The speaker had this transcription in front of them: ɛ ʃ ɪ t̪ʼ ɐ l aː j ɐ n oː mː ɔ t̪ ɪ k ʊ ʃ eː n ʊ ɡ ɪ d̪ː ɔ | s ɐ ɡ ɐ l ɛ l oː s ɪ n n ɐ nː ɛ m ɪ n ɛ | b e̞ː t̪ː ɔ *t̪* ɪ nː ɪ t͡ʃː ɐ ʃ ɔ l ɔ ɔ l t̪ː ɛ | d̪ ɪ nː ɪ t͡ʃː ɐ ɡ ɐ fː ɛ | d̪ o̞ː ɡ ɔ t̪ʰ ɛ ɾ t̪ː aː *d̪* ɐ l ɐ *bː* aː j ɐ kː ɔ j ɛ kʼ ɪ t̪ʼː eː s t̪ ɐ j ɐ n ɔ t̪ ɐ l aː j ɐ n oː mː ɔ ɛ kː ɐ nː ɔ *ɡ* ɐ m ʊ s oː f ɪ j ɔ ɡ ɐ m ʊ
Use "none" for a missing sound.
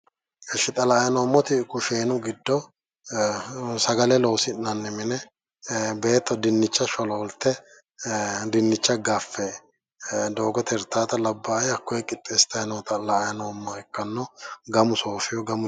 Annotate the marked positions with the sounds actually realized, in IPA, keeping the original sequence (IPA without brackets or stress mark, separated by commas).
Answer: d̪, t̪, bː, ɡ